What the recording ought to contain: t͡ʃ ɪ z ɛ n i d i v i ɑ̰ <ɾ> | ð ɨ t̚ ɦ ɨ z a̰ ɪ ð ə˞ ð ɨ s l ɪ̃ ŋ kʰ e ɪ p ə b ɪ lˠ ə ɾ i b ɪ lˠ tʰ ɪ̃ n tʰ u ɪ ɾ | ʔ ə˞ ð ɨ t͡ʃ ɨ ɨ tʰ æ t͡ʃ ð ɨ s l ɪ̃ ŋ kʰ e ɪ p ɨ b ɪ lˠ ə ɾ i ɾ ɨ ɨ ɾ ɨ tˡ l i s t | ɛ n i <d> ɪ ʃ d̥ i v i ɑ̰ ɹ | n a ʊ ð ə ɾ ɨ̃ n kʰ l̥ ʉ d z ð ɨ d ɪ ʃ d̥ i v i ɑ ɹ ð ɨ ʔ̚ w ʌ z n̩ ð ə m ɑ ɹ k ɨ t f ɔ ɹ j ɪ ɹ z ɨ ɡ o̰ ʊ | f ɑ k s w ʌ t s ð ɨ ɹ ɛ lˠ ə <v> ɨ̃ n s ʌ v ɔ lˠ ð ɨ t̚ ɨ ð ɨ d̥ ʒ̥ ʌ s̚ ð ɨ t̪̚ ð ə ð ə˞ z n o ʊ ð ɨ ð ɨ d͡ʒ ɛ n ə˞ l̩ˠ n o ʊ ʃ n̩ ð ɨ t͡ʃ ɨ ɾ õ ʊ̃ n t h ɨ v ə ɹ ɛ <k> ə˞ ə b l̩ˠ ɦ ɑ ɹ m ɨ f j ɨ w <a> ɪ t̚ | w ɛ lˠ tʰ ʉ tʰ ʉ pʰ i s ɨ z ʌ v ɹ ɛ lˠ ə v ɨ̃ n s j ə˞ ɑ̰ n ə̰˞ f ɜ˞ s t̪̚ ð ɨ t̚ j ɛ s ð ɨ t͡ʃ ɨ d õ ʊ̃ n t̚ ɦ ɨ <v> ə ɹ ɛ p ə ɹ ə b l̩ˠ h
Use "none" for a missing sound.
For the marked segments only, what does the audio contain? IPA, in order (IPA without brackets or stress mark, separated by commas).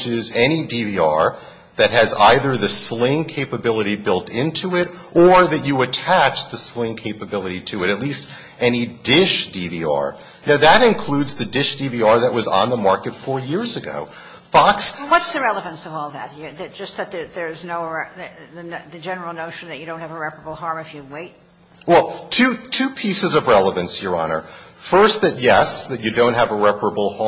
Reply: ɹ, d, v, p, e, v